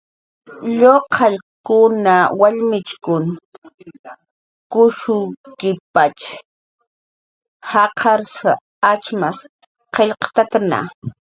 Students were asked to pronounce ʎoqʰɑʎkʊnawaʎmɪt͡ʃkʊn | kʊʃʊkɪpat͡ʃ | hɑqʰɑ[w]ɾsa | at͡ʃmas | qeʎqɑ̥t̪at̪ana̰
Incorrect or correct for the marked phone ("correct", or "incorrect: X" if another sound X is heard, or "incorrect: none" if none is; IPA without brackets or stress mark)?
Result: incorrect: none